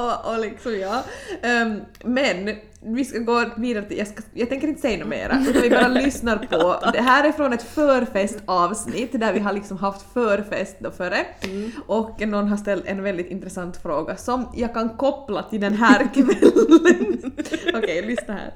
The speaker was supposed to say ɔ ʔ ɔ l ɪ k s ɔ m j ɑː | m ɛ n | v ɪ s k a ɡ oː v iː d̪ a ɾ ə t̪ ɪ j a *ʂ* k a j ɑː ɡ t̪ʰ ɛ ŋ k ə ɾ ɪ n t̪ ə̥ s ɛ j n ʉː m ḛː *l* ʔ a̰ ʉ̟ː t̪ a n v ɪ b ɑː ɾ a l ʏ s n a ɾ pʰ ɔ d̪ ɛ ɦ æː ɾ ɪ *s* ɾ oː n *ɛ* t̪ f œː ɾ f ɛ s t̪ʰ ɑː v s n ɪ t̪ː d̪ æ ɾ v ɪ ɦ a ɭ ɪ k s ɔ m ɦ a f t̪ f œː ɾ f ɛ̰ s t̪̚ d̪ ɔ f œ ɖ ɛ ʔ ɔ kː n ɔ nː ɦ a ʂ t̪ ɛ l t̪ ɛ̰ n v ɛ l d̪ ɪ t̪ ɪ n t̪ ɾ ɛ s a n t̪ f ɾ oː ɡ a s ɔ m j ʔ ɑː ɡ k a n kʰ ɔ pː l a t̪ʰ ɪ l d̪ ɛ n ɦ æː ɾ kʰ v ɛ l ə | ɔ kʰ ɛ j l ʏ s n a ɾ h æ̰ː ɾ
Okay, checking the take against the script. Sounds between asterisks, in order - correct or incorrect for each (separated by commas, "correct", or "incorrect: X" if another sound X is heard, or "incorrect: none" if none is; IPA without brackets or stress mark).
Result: incorrect: s, incorrect: ɾ, incorrect: f, correct